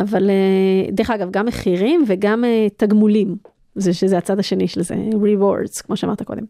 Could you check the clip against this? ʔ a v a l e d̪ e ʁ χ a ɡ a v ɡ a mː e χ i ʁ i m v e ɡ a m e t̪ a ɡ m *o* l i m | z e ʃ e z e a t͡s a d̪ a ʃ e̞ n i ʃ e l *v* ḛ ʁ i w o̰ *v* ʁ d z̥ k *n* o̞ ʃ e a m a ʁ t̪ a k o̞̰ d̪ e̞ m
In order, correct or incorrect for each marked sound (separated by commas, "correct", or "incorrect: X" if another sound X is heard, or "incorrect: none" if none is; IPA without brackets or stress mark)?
incorrect: u, incorrect: z, incorrect: none, incorrect: m